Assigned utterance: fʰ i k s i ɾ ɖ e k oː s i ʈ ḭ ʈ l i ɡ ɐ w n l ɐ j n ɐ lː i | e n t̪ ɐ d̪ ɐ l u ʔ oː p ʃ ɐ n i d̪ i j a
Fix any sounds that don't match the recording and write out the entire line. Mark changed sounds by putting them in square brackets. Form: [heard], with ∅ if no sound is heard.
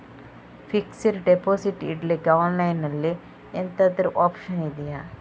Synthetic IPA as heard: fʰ i k s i ɾ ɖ e [p] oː s i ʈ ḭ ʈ l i ɡ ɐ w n l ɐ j n ɐ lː i | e n t̪ ɐ d̪ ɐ [ɾ] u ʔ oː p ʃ ɐ n i d̪ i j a